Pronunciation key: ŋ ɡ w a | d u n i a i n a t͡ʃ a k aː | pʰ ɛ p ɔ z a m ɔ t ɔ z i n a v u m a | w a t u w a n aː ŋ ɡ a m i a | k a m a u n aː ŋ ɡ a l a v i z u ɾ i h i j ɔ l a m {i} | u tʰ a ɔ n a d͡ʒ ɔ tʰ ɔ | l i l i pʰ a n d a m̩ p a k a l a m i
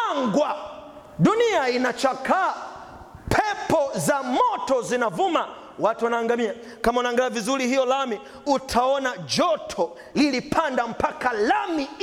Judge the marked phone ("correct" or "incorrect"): correct